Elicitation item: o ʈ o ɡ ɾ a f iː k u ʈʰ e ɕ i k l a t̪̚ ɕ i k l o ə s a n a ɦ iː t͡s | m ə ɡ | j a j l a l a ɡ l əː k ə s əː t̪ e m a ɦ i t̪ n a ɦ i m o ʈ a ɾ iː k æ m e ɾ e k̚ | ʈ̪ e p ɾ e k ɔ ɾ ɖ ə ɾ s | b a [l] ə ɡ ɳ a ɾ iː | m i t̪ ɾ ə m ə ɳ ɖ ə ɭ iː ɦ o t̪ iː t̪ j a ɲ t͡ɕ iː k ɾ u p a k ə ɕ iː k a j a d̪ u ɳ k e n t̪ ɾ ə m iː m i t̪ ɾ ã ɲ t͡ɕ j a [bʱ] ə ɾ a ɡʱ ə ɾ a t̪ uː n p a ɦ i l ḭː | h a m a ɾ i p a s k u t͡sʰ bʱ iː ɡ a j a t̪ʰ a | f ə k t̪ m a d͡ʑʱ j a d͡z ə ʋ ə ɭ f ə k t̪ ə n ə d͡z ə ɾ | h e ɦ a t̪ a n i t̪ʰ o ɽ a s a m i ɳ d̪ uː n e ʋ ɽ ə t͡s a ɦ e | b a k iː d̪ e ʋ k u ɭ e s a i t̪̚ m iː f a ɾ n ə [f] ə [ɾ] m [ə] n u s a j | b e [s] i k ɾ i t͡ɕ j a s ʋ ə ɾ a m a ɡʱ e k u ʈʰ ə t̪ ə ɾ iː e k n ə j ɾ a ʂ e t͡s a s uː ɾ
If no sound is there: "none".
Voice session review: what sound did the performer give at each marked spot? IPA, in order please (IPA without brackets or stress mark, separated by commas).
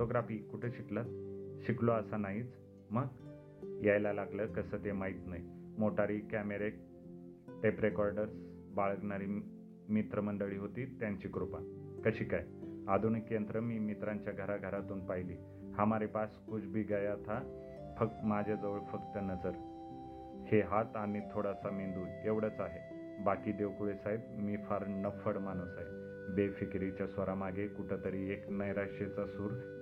ɭ, ɡʱ, f, ɽ, a, f